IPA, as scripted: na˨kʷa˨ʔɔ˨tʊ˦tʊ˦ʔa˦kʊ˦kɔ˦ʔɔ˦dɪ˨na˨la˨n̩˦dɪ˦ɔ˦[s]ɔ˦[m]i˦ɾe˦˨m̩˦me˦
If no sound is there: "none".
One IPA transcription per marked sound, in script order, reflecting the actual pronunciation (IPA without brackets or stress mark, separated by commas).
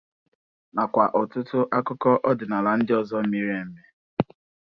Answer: z, m